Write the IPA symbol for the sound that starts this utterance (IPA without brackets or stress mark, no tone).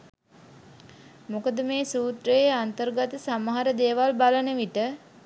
m